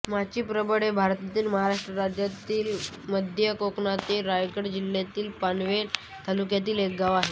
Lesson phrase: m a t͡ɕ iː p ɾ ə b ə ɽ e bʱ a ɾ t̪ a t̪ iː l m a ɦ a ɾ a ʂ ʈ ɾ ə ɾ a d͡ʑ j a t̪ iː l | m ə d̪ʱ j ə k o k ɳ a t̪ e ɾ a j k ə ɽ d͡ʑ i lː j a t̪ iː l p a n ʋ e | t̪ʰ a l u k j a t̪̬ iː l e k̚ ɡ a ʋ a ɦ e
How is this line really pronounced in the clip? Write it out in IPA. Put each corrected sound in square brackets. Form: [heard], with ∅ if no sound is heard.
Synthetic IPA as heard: m a t͡ɕ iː p ɾ ə b ə ɽ e bʱ a ɾ t̪ a t̪ iː l m [ə] ɦ a ɾ a ʂ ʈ ɾ ə ɾ a d͡ʑ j a t̪ iː l | m ə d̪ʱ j ə k o k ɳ a t̪ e ɾ a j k ə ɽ d͡ʑ i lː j a t̪ iː l p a n ʋ e | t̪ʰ a l u k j a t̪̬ iː l e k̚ ɡ a ʋ a ɦ e